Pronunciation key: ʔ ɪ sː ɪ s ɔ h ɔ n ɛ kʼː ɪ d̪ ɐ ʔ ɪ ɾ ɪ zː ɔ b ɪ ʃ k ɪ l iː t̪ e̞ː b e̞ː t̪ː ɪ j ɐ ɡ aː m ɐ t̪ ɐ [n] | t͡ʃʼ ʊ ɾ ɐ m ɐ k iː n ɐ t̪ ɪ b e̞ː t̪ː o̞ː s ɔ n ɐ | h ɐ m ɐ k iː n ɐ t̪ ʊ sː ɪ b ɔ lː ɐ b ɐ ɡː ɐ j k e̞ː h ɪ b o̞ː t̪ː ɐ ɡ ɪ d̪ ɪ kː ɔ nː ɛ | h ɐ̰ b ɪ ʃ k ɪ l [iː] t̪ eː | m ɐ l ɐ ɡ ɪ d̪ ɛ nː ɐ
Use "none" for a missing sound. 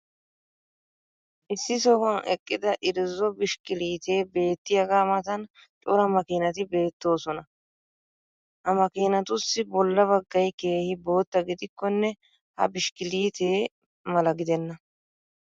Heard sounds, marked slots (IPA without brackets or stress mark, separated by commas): n, iː